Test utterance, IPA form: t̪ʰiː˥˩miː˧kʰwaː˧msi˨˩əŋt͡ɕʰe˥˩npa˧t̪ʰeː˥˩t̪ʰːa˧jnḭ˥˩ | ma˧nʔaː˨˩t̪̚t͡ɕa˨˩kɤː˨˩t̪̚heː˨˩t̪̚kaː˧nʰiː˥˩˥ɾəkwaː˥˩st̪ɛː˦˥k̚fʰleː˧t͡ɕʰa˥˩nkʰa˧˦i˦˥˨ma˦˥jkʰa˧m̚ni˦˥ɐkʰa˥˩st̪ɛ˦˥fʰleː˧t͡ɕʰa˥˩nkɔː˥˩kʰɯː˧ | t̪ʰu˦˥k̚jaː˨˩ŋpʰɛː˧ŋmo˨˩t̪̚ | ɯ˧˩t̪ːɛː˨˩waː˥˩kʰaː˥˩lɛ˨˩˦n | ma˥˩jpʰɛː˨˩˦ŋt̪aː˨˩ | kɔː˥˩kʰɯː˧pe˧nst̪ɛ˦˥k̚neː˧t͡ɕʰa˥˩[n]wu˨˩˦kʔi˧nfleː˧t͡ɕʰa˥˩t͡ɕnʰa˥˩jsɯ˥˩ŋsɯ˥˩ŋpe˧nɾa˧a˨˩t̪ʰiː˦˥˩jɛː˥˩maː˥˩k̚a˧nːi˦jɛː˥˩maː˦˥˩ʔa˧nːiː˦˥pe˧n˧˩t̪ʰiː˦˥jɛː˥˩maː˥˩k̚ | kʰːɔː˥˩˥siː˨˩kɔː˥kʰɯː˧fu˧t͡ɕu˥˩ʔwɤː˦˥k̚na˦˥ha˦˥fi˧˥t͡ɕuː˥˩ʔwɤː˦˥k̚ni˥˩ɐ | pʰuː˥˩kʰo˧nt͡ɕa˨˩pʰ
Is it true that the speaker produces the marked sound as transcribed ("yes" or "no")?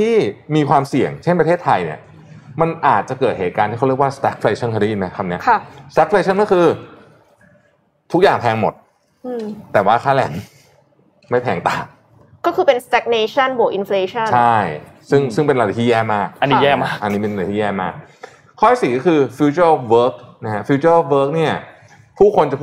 yes